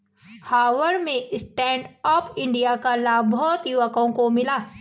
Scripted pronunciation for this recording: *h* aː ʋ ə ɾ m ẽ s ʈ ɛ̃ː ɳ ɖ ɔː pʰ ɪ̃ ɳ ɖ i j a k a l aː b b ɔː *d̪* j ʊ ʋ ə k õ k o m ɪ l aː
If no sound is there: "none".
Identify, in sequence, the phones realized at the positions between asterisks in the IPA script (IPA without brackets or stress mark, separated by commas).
h, t̪